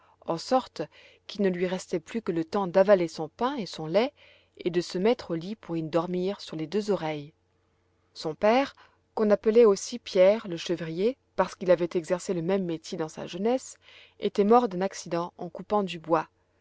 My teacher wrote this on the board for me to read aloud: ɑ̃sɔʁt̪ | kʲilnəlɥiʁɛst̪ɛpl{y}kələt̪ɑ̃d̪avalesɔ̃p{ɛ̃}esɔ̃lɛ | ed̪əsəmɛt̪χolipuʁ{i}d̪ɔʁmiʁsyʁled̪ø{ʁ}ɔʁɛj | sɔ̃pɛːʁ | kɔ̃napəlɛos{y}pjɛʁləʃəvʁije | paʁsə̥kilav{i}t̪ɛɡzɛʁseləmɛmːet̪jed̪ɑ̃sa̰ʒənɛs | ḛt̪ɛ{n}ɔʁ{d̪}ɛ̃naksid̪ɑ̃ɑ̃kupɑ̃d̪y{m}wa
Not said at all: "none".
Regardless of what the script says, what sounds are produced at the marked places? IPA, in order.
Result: y, ɛ̃, i, z, i, ɛ, m, d̪, b

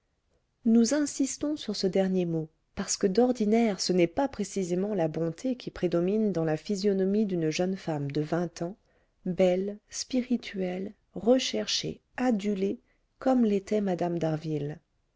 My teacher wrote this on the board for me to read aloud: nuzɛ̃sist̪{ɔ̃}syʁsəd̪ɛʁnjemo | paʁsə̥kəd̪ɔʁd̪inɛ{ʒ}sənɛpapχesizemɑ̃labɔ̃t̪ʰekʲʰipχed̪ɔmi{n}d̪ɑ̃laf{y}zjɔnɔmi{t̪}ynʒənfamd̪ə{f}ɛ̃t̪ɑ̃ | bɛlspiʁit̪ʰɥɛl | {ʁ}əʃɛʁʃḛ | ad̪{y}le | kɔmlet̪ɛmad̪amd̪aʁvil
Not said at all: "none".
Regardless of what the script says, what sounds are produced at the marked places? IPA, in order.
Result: ɔ̃, ʁ, n, i, d̪, v, ʁ, y

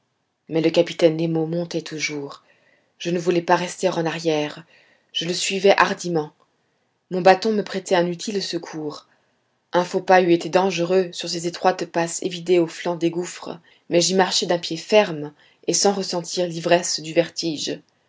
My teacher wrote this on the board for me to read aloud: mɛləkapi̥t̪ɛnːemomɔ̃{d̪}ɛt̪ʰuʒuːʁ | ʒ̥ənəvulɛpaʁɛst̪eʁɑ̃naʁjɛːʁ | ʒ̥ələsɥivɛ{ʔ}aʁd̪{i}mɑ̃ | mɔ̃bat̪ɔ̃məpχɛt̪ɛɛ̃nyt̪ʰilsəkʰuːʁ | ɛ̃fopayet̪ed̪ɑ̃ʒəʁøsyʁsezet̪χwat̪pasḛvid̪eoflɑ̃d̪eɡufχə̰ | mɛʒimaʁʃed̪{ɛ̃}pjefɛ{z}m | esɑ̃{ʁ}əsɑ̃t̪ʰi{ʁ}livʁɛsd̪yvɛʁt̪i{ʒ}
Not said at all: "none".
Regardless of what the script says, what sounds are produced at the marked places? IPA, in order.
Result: t̪, ʔ, i, ɛ̃, ʁ, ʁ, ʁ, ʒ

